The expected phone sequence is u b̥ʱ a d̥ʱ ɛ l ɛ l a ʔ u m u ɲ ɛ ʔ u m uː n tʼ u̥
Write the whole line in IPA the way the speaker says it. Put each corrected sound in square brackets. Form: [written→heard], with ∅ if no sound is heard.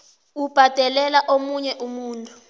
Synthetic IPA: u b̥ʱ a d̥ʱ ɛ l ɛ l a ʔ [u→o] m u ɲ ɛ ʔ u m uː n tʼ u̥